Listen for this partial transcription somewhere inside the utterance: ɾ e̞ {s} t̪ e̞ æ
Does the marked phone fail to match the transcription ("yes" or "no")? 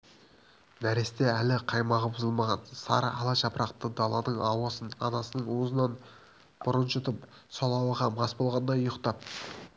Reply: no